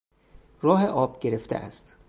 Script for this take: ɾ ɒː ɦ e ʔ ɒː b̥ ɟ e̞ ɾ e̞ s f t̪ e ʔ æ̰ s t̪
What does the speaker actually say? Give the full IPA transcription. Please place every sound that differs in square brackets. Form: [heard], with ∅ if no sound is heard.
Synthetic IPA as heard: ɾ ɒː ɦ e ʔ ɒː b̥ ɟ e̞ ɾ e̞ [∅] f t̪ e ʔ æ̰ s t̪